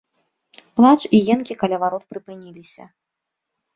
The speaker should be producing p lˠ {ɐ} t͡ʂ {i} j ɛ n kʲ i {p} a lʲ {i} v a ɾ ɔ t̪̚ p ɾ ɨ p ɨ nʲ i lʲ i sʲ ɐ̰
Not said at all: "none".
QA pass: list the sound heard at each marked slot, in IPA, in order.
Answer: a, i, k, a

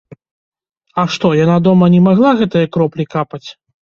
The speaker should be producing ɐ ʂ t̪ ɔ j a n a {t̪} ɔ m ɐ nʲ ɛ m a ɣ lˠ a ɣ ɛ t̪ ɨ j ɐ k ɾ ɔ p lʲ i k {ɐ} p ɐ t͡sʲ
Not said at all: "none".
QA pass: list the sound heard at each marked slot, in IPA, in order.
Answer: d̪, a

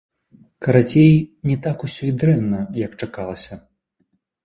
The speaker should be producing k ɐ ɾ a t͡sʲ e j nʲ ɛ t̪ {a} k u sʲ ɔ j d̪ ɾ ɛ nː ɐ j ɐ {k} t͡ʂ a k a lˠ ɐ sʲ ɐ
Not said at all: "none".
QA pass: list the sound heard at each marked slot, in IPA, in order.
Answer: a, k

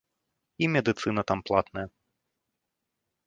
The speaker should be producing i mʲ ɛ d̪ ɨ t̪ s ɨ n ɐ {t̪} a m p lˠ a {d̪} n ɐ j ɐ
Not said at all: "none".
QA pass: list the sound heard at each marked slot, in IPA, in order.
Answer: t̪, t̪

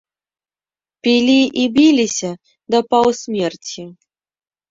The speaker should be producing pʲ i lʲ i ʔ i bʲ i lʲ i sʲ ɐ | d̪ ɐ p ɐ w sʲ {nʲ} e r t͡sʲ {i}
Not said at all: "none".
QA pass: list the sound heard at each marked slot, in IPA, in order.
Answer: mʲ, i

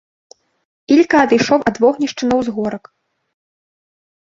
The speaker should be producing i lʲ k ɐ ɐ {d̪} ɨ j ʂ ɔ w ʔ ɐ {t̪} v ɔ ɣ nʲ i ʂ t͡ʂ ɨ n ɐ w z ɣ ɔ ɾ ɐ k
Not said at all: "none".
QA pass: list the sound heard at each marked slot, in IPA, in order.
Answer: d̪, d̪

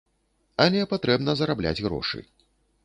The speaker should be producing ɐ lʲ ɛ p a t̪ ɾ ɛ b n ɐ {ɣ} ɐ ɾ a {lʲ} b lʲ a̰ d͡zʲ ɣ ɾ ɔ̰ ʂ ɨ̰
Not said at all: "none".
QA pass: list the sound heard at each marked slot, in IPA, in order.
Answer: z, none

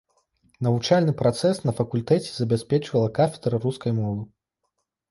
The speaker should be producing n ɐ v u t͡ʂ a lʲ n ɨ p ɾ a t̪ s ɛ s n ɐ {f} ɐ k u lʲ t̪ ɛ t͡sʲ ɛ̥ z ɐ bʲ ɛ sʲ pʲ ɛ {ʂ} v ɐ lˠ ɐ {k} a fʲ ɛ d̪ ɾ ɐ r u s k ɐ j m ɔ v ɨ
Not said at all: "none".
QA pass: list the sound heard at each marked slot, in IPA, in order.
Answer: f, t͡ʂ, k

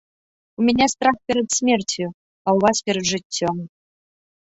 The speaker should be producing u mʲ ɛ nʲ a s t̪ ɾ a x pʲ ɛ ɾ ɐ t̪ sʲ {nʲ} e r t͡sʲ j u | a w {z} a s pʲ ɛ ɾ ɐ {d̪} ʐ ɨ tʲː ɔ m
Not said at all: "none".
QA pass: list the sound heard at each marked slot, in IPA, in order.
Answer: mʲ, v, d̪

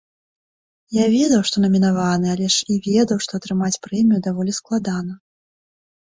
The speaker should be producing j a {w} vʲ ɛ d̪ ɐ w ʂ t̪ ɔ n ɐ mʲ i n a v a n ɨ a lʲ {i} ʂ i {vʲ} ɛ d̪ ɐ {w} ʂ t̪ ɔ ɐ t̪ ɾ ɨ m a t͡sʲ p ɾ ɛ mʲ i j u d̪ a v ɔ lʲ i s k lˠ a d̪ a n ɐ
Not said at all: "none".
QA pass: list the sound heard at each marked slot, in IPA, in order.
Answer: none, ɛ, vʲ, w

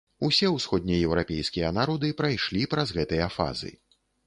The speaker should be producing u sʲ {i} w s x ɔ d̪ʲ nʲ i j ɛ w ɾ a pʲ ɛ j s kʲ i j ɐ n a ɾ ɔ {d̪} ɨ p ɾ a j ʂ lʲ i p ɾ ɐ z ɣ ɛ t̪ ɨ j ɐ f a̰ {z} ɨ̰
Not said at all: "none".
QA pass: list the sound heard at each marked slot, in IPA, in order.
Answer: ɛ, d̪, z

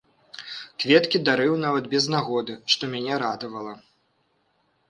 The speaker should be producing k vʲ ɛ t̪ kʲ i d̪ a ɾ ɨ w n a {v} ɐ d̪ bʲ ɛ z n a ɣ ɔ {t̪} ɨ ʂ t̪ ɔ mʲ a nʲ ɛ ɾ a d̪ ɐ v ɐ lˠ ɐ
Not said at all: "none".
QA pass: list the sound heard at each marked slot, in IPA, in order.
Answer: v, d̪

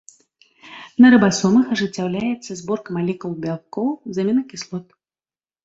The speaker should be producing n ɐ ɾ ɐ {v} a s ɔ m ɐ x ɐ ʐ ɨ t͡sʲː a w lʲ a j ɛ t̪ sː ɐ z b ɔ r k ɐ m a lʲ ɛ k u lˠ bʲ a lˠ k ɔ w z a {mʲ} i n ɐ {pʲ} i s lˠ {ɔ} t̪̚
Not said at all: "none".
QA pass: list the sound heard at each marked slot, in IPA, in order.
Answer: b, mʲ, kʲ, ɔ

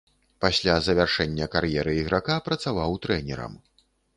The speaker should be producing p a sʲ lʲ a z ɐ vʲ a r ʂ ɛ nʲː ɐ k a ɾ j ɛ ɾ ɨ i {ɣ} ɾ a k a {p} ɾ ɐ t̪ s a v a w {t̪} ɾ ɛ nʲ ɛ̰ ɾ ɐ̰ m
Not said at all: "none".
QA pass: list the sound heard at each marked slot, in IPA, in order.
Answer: ɣ, p, t̪

